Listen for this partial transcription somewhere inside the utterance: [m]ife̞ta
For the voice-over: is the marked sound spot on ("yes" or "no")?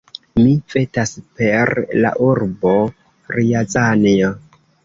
yes